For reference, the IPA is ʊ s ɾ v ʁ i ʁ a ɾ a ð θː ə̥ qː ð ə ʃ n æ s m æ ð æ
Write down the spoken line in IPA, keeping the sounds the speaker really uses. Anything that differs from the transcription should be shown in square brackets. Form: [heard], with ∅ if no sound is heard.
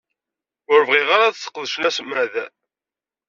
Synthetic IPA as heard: ʊ [∅] ɾ v ʁ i ʁ a ɾ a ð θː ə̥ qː ð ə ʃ n æ s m æ ð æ